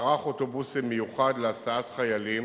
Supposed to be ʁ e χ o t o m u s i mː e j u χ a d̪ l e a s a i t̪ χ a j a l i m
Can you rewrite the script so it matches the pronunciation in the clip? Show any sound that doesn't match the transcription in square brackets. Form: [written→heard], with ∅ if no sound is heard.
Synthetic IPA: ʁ [e→a] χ o t o [m→b] u s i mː e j u χ a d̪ l e a s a [i→a] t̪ χ a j a l i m